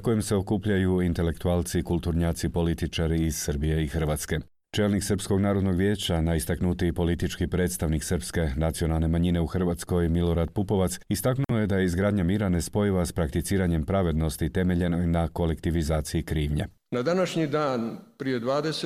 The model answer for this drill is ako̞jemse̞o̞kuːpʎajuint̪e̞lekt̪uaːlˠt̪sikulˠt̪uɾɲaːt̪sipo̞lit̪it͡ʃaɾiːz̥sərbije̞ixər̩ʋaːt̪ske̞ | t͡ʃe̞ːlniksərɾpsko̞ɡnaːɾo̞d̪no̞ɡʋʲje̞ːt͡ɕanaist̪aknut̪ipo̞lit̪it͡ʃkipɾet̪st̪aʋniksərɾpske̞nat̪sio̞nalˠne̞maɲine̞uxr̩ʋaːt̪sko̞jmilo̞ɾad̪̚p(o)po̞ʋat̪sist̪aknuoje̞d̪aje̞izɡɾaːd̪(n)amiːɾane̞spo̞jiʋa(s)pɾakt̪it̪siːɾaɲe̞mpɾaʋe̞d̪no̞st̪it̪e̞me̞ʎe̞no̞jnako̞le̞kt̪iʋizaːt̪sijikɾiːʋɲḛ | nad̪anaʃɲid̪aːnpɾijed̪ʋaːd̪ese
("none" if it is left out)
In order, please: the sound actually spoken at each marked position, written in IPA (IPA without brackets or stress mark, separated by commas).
u, ɲ, s